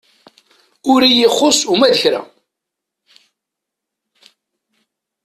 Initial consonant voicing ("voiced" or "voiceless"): voiced